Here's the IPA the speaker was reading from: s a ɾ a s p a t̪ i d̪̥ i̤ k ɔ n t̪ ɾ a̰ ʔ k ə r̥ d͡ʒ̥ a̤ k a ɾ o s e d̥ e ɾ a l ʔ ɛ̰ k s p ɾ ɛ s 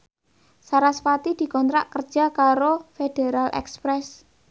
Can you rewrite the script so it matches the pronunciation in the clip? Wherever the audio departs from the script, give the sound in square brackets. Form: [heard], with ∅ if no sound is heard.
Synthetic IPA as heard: s a ɾ a s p a t̪ i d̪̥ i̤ k ɔ n t̪ ɾ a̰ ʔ k ə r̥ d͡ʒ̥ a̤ k a ɾ o [f] e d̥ e ɾ a l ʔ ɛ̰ k s p ɾ ɛ s